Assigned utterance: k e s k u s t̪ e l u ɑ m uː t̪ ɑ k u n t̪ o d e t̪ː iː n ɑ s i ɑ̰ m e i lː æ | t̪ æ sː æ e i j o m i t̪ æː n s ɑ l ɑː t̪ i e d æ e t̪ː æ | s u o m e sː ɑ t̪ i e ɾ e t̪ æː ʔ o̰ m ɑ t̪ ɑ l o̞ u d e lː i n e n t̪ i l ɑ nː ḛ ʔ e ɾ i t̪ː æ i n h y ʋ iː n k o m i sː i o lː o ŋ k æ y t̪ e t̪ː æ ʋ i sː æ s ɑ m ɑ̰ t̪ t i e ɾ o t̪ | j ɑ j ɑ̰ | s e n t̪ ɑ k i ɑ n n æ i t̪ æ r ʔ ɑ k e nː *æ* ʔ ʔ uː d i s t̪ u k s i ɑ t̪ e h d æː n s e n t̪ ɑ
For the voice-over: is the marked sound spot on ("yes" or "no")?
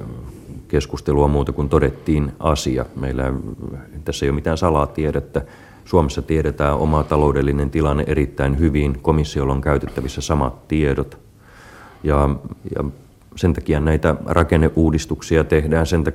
no